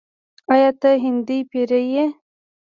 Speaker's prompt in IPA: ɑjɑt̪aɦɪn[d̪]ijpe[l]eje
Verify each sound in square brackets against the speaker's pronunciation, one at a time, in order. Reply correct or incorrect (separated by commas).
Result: correct, incorrect